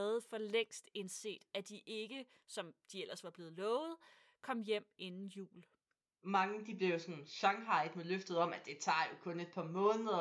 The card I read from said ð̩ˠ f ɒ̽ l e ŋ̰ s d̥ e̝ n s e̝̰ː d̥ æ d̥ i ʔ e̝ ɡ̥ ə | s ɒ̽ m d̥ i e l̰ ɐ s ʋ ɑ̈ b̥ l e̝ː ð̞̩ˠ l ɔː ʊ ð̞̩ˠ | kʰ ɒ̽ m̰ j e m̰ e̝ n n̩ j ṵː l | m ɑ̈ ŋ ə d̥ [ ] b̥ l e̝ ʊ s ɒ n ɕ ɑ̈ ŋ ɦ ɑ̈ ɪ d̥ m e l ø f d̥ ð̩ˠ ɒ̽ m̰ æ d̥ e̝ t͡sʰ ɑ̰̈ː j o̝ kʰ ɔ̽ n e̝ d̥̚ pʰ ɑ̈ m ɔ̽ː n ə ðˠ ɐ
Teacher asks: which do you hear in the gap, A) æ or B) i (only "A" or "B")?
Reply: B